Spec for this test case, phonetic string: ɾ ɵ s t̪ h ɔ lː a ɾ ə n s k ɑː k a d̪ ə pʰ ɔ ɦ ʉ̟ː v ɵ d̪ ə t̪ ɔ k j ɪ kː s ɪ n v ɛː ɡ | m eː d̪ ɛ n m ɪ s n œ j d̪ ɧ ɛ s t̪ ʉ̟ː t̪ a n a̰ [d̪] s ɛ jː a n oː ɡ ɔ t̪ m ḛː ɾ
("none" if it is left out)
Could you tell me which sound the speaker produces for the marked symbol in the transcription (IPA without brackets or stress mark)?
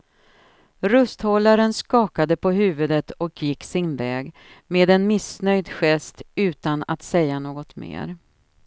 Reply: t̪